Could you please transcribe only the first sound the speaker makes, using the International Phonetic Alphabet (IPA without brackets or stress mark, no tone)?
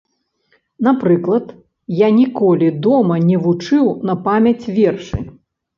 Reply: n